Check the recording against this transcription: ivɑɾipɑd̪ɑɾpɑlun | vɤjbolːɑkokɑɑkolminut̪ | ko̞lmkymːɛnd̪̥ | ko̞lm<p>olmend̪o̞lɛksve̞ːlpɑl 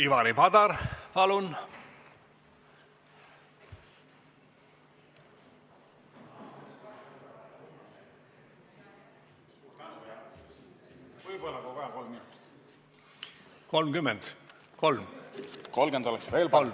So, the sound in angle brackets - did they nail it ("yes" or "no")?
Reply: no